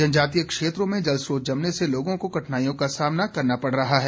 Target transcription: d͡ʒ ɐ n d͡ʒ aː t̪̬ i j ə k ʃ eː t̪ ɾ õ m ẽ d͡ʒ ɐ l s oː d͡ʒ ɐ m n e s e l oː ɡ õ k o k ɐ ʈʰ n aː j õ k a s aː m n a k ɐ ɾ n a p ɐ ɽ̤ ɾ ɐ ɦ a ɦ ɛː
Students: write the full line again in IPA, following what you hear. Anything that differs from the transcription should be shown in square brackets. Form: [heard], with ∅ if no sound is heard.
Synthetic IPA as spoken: d͡ʒ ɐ n d͡ʒ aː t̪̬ i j ə k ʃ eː t̪ ɾ õ m ẽ d͡ʒ ɐ l s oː d͡ʒ ɐ m n e s e l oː ɡ õ k o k ɐ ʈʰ n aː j õ k a s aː m n a k ɐ ɾ n a p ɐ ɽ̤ ɾ ɐ ɦ a ɦ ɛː